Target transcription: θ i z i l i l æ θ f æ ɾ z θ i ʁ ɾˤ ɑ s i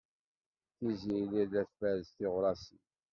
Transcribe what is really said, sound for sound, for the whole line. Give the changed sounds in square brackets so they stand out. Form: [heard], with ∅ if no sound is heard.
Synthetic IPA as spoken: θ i z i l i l æ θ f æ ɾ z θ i ʁ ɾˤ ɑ s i